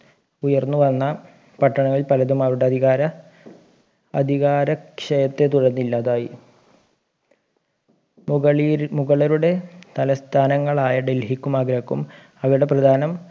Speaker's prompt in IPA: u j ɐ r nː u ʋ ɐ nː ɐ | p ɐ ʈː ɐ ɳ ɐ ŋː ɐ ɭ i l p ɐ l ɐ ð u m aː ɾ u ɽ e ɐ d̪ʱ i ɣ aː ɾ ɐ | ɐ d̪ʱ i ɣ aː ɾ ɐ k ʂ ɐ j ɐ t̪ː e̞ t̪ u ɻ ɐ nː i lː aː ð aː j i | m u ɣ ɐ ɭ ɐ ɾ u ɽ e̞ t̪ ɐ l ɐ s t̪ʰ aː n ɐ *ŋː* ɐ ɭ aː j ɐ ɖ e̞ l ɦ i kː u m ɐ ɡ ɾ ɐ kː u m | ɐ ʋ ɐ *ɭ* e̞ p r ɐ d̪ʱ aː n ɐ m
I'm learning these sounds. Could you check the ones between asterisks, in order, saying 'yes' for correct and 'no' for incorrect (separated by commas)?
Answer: yes, no